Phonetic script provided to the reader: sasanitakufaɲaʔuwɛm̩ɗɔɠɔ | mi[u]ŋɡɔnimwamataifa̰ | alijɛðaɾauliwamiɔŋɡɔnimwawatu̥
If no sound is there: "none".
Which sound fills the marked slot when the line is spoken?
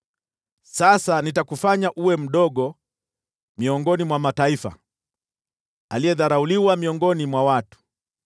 ɔ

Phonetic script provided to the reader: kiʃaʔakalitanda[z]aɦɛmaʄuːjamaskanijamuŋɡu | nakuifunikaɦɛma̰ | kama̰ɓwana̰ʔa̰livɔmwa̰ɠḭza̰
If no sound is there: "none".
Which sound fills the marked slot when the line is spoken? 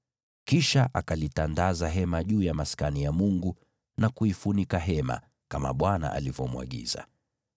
z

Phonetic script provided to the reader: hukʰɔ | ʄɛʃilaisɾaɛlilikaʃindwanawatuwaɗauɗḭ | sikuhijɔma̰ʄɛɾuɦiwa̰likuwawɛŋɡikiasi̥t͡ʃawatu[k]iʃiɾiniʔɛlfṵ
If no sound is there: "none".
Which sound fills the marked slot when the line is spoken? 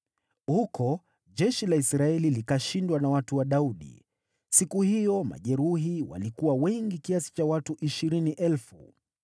ʔ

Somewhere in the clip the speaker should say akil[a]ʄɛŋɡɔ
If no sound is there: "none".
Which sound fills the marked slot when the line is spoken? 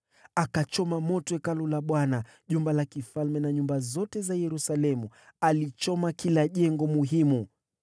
a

